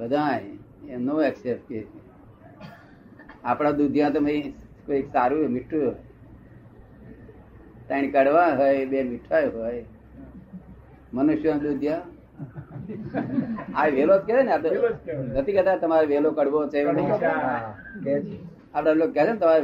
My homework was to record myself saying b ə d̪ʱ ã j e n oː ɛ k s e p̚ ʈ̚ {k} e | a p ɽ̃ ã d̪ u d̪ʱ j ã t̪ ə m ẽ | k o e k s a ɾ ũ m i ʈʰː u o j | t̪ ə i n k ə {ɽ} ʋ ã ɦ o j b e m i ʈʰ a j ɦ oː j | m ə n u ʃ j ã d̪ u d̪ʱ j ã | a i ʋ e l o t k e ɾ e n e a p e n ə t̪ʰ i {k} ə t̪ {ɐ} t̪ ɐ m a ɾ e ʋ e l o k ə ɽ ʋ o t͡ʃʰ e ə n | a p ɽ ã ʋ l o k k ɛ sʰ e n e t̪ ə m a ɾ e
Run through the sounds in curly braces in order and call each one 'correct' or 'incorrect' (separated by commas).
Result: correct, correct, correct, incorrect